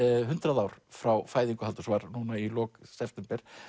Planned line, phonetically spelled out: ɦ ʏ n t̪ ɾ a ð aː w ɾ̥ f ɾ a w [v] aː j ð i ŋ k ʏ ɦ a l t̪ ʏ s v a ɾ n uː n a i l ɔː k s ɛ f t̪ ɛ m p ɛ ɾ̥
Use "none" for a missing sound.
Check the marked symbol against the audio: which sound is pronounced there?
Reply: f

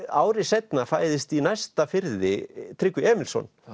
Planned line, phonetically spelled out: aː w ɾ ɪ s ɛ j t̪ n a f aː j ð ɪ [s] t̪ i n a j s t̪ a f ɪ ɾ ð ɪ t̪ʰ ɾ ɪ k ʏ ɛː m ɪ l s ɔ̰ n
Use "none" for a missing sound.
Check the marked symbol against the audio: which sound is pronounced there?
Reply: s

